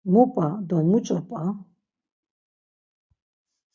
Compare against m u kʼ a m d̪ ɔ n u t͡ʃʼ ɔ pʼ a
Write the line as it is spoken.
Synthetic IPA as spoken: m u pʼ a d̪ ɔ m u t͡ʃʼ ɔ pʼ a